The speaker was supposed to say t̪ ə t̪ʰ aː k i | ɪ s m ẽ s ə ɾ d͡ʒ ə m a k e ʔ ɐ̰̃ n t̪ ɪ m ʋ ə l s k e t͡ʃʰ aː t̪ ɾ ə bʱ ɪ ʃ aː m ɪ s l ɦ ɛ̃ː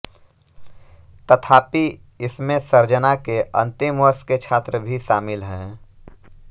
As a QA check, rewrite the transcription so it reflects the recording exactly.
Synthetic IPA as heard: t̪ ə t̪ʰ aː p i | ɪ s m ẽ s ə ɾ d͡ʒ ə n a k e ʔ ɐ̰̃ n t̪ ɪ m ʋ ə ɾ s k e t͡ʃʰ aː t̪ ɾ ə bʱ i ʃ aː m ɪ l ɦ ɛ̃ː